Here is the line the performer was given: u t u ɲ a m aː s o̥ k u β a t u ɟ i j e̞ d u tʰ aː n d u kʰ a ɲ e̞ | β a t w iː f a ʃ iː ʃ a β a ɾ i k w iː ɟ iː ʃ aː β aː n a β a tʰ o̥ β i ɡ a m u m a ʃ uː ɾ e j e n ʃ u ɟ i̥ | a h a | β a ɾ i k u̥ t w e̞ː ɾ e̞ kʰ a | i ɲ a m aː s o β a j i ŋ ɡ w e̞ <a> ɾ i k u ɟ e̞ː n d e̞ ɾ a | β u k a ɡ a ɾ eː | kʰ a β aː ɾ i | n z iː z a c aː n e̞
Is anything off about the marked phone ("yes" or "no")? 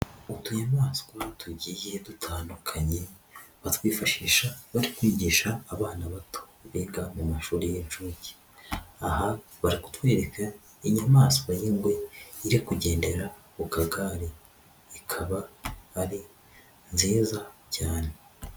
yes